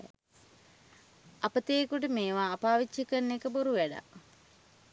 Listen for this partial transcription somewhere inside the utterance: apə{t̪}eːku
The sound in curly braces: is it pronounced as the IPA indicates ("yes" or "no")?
yes